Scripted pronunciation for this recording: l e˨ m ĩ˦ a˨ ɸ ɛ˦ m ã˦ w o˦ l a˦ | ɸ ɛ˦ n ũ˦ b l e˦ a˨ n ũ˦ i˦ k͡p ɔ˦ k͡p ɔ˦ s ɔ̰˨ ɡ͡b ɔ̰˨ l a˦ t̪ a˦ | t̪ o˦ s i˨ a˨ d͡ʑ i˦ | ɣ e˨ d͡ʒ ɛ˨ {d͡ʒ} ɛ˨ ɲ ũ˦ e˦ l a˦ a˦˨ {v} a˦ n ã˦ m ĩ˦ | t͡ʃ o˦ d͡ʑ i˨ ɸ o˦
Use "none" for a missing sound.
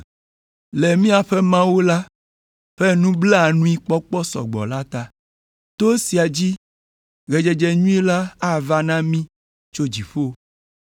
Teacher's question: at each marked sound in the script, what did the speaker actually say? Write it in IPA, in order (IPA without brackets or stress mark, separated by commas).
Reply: d͡ʒ, v